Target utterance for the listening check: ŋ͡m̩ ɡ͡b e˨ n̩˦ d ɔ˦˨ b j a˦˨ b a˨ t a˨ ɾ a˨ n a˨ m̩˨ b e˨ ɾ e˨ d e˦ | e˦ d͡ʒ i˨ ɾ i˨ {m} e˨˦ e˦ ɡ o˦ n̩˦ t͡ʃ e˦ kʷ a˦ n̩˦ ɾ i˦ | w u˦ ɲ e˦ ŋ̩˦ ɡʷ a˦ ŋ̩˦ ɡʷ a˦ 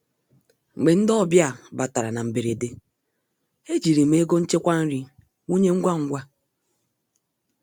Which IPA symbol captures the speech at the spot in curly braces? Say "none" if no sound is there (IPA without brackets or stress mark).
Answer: m